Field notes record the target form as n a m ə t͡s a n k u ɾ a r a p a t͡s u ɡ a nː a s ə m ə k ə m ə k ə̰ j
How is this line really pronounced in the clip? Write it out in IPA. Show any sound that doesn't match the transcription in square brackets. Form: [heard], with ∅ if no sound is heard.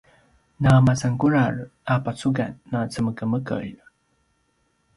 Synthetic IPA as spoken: n a m [a] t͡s a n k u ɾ a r a p a t͡s u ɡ a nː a [t͡s] ə m ə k ə m ə k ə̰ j